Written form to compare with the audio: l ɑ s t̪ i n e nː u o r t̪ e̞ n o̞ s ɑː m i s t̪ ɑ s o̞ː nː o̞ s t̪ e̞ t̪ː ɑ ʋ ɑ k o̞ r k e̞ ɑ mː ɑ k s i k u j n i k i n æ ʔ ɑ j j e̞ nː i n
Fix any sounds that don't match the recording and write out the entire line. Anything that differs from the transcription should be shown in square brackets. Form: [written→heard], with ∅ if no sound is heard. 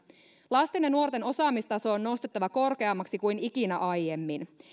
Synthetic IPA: l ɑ s t̪ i n e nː u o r t̪ e̞ n o̞ s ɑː m i s t̪ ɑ s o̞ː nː o̞ s t̪ e̞ t̪ː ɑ ʋ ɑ k o̞ r k e̞ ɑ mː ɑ k s i k u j n i k i n æ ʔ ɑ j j e̞ [nː→mː] i n